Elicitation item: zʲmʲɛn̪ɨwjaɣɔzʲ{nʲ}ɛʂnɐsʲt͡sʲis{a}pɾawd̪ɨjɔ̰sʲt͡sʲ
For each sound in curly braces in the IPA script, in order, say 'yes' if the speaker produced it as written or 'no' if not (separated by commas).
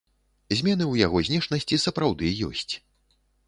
yes, no